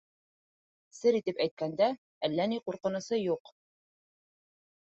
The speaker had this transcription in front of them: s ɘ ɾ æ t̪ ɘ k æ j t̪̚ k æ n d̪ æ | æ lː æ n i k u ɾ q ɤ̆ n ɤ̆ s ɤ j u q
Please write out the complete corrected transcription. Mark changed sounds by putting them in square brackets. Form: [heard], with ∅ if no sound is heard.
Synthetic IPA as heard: s ɘ ɾ [i] t̪ ɘ [p] æ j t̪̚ k æ n d̪ æ | æ lː æ n i [q] u ɾ q ɤ̆ n ɤ̆ s ɤ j u q